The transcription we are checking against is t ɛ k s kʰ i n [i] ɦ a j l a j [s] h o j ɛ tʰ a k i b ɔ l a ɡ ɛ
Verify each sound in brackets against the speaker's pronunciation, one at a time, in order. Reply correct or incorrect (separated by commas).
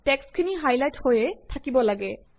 correct, incorrect